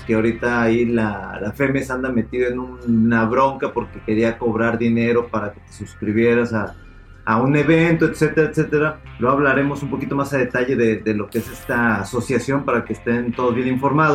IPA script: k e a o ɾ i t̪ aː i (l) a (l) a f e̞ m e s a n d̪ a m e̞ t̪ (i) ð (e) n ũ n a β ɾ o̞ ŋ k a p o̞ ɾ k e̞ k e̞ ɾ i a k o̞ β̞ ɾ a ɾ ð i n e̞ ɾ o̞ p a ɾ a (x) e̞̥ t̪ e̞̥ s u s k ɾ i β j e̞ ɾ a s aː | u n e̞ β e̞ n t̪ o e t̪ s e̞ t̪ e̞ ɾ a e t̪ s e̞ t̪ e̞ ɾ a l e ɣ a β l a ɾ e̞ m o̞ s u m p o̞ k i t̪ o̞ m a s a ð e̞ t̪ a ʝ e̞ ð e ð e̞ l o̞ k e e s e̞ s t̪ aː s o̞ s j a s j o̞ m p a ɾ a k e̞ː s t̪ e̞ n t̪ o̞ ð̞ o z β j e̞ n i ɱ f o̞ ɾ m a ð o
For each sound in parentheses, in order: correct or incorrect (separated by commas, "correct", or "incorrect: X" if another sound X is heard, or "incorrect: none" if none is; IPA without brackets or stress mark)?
correct, correct, correct, correct, incorrect: k